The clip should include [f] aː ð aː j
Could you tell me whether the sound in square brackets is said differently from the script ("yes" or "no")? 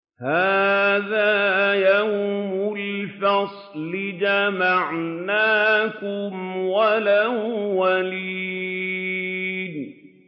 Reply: yes